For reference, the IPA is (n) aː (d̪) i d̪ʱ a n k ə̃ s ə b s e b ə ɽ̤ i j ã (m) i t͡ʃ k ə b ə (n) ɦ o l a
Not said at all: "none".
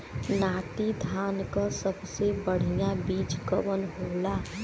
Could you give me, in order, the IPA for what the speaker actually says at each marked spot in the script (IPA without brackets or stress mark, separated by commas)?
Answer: n, t̪, b, n